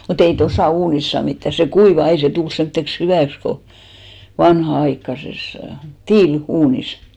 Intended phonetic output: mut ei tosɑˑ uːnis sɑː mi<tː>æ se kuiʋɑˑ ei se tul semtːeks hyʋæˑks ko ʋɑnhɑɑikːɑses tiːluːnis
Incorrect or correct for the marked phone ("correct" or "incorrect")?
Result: correct